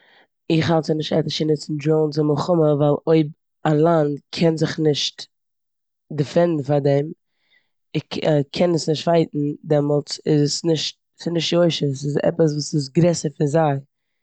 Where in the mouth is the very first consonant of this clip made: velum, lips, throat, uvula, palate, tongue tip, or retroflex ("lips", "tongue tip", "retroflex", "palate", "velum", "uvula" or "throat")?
uvula